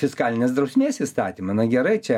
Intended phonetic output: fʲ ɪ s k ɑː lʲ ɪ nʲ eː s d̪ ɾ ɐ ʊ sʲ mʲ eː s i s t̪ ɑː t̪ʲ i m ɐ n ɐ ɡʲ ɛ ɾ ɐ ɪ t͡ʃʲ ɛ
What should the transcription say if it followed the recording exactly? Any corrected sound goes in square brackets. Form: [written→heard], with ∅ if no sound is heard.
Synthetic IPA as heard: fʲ ɪ s k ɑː lʲ ɪ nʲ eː s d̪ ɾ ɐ ʊ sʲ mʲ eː s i s t̪ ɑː t̪ʲ i m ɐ n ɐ ɡʲ ɛ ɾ ɐ ɪ t͡ʃʲ ɛ